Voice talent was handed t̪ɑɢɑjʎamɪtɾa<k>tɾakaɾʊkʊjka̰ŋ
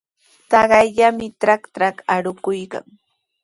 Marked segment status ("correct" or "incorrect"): correct